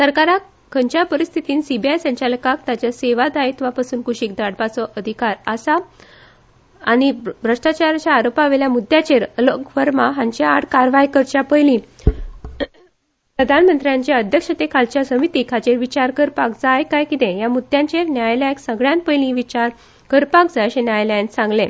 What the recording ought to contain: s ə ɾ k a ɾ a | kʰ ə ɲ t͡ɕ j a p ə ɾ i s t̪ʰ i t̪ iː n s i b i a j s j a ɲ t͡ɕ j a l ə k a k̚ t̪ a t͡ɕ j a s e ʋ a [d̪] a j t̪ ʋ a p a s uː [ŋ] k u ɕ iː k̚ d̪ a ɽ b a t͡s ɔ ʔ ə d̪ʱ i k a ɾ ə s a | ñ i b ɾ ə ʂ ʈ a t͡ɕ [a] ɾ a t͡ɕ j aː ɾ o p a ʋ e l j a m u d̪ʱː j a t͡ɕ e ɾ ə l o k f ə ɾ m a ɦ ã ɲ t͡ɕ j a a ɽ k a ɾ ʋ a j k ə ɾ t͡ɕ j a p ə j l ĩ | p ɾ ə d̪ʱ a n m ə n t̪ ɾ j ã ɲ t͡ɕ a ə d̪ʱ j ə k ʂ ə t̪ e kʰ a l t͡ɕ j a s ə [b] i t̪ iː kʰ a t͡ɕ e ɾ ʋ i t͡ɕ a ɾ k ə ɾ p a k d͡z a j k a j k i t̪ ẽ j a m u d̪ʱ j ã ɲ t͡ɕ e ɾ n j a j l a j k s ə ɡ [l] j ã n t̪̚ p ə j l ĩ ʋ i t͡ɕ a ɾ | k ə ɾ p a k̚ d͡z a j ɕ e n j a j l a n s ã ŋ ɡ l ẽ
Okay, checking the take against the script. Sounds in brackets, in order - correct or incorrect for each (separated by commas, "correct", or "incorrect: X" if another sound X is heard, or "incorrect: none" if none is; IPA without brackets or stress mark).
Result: correct, incorrect: n, correct, incorrect: m, incorrect: ɭ